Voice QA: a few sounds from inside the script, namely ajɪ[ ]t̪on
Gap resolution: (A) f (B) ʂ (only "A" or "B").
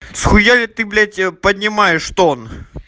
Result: B